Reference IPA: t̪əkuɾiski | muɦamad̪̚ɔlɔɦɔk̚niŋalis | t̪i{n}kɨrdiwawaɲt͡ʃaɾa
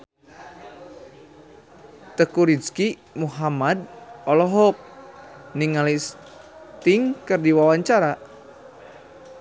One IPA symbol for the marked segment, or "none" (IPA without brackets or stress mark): ŋ